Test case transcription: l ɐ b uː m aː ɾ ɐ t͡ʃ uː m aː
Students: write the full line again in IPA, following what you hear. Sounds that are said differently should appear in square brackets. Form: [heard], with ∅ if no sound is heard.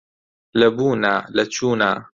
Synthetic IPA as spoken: l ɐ b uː [n] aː [l] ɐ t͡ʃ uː [n] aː